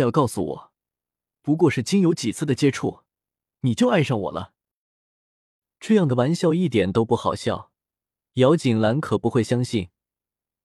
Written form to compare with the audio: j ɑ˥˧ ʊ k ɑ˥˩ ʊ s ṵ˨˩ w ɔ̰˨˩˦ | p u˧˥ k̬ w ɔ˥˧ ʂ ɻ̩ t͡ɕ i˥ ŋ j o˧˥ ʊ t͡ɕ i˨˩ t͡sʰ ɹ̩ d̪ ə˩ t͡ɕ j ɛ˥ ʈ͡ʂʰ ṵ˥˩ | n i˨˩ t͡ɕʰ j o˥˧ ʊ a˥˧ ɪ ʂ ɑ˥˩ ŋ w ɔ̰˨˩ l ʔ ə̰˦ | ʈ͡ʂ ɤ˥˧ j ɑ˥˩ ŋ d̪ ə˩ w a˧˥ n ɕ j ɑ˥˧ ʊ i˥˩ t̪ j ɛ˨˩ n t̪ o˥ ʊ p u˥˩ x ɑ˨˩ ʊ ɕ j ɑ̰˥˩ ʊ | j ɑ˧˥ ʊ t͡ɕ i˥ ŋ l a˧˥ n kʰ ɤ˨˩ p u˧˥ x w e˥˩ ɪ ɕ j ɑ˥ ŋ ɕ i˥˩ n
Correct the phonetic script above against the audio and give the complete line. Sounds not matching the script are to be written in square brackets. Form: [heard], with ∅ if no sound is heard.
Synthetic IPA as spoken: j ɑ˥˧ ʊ k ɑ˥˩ ʊ s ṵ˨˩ w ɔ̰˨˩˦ | p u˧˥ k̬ w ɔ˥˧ ʂ ɻ̩ t͡ɕ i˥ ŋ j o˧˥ ʊ t͡ɕ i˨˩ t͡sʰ ɹ̩ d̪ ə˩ t͡ɕ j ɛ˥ ʈ͡ʂʰ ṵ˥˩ | n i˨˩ [t͡ɕ] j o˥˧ ʊ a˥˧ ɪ ʂ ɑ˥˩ ŋ w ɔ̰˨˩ l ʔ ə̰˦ | ʈ͡ʂ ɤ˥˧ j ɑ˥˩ ŋ d̪ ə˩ w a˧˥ n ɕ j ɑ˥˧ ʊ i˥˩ t̪ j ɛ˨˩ n t̪ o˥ ʊ p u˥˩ x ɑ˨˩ ʊ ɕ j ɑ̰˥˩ ʊ | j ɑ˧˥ ʊ t͡ɕ [i˨˩] ŋ l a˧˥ n kʰ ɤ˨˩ p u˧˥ x w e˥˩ ɪ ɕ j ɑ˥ ŋ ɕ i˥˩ n